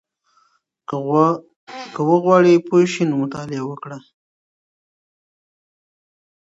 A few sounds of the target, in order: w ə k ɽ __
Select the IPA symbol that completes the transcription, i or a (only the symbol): a